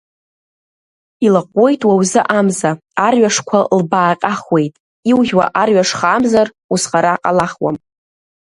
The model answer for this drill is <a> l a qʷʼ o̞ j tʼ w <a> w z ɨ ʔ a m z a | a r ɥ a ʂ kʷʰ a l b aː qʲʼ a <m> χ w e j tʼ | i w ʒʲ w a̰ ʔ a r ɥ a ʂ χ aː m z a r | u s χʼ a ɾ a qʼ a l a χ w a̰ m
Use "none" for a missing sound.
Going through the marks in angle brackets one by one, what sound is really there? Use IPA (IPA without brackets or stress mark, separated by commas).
i, a, none